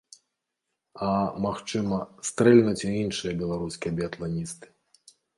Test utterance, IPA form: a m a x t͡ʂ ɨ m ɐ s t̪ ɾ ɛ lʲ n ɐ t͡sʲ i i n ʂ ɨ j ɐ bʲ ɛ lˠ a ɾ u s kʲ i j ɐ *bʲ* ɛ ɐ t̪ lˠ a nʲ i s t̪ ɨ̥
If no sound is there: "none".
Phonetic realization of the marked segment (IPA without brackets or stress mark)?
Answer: bʲ